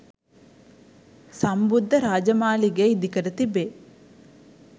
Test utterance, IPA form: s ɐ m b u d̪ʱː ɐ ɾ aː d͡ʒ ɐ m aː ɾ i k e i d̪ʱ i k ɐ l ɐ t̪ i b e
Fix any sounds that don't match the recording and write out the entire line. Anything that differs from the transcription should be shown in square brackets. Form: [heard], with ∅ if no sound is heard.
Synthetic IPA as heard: s ɐ m b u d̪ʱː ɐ ɾ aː d͡ʒ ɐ m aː [l] i [ɡ] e i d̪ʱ i k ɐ [ɾ] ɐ t̪ i b e